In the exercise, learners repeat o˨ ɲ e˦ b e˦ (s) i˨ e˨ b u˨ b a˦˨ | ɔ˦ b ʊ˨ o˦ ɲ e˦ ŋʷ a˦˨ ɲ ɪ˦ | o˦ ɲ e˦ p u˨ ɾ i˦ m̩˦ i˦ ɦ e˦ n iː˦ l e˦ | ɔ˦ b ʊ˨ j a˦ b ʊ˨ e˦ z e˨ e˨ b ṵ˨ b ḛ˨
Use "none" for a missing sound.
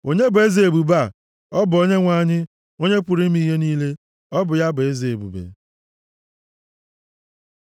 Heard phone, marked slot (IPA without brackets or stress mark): z